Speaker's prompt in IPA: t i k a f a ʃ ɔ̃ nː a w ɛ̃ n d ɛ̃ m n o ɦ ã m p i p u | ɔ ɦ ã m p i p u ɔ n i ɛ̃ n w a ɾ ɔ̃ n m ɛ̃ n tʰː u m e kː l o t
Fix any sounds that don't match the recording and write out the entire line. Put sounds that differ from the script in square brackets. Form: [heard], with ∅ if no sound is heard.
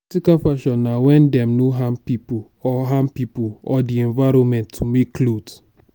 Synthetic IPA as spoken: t i k a f a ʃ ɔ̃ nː a w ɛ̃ n d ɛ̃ m n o ɦ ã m p i p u | ɔ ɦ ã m p i p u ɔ [d] i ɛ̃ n [v] a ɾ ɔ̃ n m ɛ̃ n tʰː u m e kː l o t